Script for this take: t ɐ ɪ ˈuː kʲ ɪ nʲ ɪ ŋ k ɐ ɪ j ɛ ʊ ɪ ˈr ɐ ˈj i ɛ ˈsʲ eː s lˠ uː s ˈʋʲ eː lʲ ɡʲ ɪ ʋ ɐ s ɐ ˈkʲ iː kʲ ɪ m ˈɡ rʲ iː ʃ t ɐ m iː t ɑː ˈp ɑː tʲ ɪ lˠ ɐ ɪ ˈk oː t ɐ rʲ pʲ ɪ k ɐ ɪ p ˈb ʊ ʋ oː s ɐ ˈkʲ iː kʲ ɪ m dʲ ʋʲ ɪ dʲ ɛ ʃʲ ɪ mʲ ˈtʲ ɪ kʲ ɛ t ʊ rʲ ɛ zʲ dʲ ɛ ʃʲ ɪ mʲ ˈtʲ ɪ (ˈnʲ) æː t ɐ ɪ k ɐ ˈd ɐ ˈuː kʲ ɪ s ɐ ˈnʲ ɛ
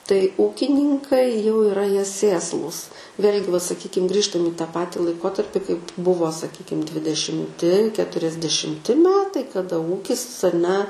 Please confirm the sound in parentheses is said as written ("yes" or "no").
no